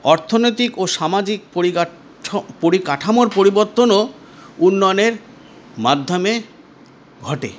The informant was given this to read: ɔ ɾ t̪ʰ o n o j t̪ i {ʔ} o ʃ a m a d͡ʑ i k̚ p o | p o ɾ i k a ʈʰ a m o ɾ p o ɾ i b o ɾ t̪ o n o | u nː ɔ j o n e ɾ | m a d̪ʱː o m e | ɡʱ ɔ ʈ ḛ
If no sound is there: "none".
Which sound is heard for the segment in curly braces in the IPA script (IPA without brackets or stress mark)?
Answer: k